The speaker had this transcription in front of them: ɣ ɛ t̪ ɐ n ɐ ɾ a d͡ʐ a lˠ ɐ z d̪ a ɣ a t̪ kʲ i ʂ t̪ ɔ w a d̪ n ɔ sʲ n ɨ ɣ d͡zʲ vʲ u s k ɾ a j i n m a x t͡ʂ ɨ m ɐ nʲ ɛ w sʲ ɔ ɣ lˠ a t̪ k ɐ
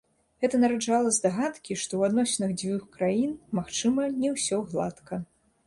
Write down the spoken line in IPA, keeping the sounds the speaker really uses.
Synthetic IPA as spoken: ɣ ɛ t̪ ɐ n ɐ ɾ a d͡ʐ a lˠ ɐ z d̪ a ɣ a t̪ kʲ i ʂ t̪ ɔ w a d̪ n ɔ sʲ n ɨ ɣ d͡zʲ vʲ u x k ɾ a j i n m a x t͡ʂ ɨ m ɐ nʲ ɛ w sʲ ɔ ɣ lˠ a t̪ k ɐ

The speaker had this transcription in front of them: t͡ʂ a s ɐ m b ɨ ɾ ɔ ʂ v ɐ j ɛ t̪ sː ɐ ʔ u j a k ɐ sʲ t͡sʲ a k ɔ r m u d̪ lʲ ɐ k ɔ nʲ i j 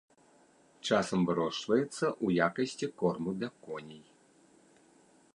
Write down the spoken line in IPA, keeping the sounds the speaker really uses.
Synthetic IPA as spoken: t͡ʂ a s ɐ m v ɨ ɾ ɔ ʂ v ɐ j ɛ t̪ sː ɐ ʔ u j a k ɐ sʲ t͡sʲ i k ɔ r m u d̪ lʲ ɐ k ɔ nʲ i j

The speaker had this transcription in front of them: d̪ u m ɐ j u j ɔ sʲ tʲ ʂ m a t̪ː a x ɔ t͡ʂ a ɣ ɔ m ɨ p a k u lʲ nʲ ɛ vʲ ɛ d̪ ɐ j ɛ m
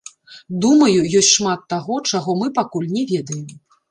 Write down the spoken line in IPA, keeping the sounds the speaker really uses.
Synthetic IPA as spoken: d̪ u m ɐ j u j ɔ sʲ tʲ ʂ m a t̪ː a ɣ ɔ t͡ʂ a ɣ ɔ m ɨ p a k u lʲ nʲ ɛ vʲ ɛ d̪ ɐ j ɛ m

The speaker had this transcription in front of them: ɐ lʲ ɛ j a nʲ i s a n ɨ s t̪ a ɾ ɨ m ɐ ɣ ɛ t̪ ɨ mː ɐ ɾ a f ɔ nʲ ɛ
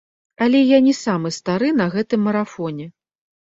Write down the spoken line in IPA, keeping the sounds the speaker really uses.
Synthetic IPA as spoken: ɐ lʲ ɛ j a nʲ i s a m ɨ s t̪ a ɾ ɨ n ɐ ɣ ɛ t̪ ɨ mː ɐ ɾ a f ɔ nʲ ɛ

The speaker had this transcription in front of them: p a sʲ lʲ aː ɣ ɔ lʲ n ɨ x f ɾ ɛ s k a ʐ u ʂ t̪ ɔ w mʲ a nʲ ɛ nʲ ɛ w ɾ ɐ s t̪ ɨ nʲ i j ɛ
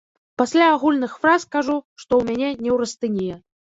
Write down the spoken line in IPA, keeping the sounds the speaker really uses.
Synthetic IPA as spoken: p a sʲ lʲ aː ɣ u lʲ n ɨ x f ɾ a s k a ʐ u ʂ t̪ ɔ w mʲ a nʲ ɛ nʲ ɛ w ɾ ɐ s t̪ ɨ nʲ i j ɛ

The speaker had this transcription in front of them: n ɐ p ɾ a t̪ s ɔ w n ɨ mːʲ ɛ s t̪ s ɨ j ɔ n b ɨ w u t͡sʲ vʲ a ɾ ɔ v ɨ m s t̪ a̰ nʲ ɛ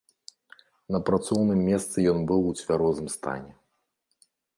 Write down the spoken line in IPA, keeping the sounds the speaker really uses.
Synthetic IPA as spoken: n ɐ p ɾ a t̪ s ɔ w n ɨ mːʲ ɛ s t̪ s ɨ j ɔ n b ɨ w u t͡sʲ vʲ a ɾ ɔ z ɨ m s t̪ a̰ nʲ ɛ

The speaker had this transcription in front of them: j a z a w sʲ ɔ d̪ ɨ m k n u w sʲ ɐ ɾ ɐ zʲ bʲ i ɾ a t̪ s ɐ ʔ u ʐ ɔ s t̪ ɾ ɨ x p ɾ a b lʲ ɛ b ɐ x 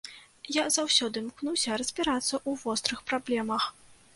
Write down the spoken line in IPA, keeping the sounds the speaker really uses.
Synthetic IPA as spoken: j a z a w sʲ ɔ d̪ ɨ m k n u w sʲ ɐ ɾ ɐ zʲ bʲ i ɾ a t̪ sː ɐ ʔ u v ɔ s t̪ ɾ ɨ x p ɾ a b lʲ ɛ m ɐ x

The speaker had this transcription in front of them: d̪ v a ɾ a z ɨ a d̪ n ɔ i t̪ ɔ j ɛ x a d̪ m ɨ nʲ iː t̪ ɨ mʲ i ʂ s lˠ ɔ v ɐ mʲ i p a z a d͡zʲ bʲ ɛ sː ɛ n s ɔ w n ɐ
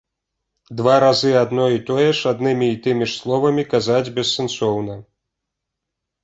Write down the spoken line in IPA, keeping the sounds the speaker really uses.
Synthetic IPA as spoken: d̪ v a ɾ a z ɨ a d̪ n ɔ i t̪ ɔ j ɛ ʂ a d̪ n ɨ mʲ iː t̪ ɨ mʲ i ʂ s lˠ ɔ v ɐ mʲ i k a z a d͡zʲ bʲ ɛ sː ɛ n s ɔ w n ɐ

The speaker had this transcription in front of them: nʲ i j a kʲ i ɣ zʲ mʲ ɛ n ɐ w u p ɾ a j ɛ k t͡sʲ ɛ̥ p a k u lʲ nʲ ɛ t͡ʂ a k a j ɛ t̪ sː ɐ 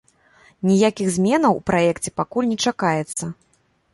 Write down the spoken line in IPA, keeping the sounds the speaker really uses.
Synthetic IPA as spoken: nʲ i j a kʲ i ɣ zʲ mʲ ɛ n ɐ w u p ɾ a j ɛ k t͡sʲ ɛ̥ p a k u lʲ nʲ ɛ t͡ʂ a k a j ɛ t̪ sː ɐ

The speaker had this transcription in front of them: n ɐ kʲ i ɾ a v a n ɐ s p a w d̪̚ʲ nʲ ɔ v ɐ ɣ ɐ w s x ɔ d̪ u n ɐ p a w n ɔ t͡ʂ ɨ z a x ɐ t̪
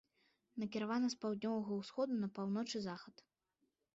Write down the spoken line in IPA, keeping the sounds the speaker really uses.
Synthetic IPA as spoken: n ɐ kʲ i ɾ a v a n ɐ s p a w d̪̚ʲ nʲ ɔ v ɐ ɣ ɐ w s x ɔ d̪ u n ɐ p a w n ɔ t͡ʂ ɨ z a x ɐ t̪

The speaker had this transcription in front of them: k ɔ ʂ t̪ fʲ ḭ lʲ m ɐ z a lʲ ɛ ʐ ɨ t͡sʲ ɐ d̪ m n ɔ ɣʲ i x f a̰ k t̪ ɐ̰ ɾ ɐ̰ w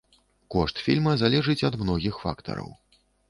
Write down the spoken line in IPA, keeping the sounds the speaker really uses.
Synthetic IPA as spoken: k ɔ ʂ t̪ fʲ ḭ lʲ m ɐ z a lʲ ɛ ʐ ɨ t͡sʲ ɐ d̪ m n ɔ ɣʲ i x f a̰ k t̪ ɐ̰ ɾ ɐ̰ w

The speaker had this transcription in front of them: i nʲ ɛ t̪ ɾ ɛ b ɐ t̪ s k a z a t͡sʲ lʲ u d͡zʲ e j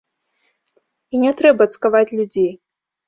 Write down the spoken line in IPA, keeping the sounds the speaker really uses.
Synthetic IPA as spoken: i nʲ ɛ t̪ ɾ ɛ b ɐ t̪ s k a v a t͡sʲ lʲ u d͡zʲ e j

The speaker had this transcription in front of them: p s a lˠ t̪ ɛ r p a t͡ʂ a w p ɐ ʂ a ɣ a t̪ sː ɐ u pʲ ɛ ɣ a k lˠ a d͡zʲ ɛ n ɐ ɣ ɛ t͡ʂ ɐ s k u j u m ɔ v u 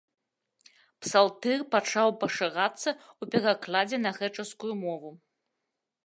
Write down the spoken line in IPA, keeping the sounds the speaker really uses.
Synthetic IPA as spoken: p s a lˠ t̪ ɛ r p a t͡ʂ a w p ɐ ʂ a ɣ a t̪ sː ɐ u pʲ ɛ ɣ a k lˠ a d͡zʲ ɛ n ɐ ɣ ɛ t͡ʂ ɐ s k u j u m ɔ v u

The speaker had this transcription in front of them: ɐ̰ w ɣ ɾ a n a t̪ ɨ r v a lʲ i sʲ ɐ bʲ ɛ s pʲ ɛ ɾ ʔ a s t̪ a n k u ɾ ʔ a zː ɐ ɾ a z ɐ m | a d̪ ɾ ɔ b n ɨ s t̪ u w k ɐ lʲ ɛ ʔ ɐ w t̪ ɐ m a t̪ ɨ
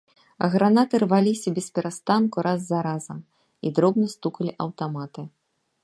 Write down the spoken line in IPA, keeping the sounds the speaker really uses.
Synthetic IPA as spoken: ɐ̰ ɣ ɾ a n a t̪ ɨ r v a lʲ i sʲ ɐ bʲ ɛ s pʲ ɛ ɾ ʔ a s t̪ a n k u ɾ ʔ a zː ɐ ɾ a z ɐ m | i d̪ ɾ ɔ b n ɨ s t̪ u k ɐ lʲ i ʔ ɐ w t̪ a m a t̪ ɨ

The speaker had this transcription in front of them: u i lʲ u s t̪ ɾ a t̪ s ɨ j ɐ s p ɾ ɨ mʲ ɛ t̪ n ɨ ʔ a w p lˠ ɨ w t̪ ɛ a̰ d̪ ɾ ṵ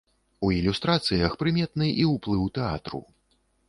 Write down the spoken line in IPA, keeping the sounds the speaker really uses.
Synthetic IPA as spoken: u i lʲ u s t̪ ɾ a t̪ s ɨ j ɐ x p ɾ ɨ mʲ ɛ t̪ n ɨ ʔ i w p lˠ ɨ w t̪ ɛ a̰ t̪ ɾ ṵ

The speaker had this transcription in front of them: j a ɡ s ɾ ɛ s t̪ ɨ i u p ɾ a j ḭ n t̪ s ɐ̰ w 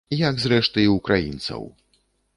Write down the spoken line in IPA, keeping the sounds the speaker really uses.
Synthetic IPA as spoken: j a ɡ z ɾ ɛ ʂ t̪ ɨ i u k ɾ a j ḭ n t̪ s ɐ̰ w

